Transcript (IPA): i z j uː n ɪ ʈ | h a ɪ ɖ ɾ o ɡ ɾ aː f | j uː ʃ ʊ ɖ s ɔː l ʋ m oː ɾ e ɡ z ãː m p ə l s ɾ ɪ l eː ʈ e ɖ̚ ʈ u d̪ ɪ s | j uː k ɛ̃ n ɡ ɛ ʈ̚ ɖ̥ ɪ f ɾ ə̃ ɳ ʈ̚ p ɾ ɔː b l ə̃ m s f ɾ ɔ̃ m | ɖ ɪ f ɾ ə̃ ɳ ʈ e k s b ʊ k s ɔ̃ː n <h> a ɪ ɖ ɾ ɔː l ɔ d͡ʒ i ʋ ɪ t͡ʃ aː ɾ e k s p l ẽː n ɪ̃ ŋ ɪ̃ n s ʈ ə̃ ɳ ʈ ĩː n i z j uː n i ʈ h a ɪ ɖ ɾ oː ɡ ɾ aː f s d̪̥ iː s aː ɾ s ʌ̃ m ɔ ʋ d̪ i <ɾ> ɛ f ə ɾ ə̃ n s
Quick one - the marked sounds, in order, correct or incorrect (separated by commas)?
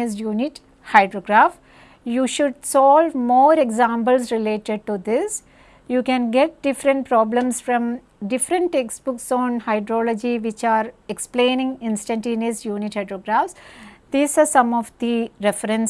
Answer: correct, correct